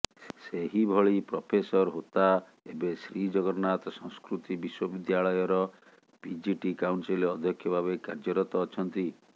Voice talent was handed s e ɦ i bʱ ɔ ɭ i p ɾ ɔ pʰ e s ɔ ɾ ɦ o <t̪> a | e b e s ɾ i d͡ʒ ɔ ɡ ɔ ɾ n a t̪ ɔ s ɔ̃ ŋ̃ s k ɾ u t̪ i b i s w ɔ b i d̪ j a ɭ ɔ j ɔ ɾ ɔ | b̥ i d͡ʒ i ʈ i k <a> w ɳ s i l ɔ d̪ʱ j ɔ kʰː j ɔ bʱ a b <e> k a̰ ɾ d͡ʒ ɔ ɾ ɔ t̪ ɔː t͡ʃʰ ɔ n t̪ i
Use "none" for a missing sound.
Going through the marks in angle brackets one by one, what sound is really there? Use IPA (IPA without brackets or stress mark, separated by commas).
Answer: t̪, a, e